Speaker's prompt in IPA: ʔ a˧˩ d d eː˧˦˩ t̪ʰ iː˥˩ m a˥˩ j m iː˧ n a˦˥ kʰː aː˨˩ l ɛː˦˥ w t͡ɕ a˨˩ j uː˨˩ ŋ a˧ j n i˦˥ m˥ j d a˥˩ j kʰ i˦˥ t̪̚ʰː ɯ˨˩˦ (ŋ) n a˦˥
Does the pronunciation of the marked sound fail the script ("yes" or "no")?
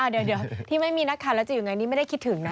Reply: no